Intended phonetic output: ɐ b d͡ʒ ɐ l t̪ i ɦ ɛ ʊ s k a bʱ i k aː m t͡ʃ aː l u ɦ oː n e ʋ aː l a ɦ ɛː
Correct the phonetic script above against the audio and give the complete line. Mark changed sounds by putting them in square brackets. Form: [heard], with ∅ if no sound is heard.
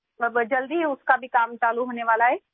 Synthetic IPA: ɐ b d͡ʒ ɐ l [d̪] i ɦ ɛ ʊ s k a bʱ i k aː m t͡ʃ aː l u ɦ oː n e ʋ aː l a ɦ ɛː